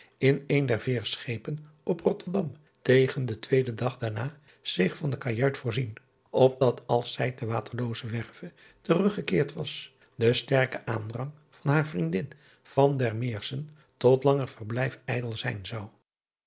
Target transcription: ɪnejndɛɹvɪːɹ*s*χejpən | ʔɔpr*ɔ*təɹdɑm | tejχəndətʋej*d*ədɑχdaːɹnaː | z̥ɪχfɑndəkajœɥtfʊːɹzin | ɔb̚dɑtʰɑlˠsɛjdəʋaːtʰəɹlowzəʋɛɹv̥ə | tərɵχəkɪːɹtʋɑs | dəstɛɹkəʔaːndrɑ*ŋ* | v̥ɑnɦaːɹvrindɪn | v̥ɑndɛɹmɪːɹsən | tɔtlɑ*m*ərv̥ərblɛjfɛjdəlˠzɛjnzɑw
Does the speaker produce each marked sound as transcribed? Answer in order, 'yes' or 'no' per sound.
yes, yes, yes, yes, no

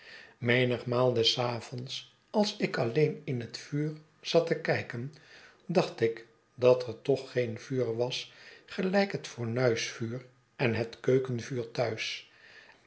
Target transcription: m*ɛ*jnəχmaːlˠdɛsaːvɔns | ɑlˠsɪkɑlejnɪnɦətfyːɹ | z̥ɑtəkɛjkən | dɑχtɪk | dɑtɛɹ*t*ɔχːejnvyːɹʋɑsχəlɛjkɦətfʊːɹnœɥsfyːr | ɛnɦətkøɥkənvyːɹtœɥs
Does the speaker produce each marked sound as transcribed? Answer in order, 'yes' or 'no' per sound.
no, yes

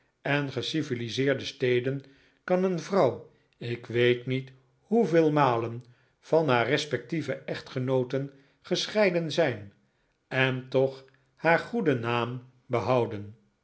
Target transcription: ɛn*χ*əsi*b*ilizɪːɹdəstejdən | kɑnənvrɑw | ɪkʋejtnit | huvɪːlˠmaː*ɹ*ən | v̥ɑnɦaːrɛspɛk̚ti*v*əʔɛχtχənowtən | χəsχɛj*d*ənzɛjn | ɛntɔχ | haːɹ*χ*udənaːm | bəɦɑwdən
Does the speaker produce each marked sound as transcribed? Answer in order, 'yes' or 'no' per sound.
yes, no, no, yes, yes, yes

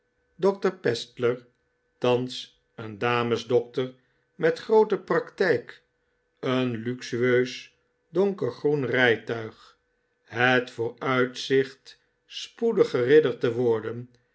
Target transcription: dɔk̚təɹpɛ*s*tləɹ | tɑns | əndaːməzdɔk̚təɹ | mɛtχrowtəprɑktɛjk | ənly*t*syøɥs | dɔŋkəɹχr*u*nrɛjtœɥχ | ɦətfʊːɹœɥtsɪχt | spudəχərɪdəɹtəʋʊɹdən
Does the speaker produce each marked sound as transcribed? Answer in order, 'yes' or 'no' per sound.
yes, no, yes

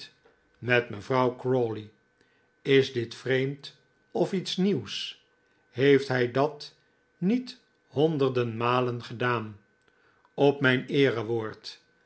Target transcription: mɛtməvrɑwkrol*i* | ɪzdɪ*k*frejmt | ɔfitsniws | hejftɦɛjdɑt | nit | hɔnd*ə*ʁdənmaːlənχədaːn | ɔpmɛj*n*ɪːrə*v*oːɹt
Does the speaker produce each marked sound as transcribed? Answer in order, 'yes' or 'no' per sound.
yes, no, yes, yes, no

